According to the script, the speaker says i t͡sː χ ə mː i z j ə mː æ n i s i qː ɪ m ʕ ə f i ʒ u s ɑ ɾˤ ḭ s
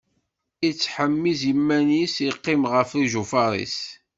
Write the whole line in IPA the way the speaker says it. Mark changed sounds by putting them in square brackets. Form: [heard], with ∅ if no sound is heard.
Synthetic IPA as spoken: i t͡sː [ħ] ə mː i z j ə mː æ n i s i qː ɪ m [ʁ] ə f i ʒ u [f] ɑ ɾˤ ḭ s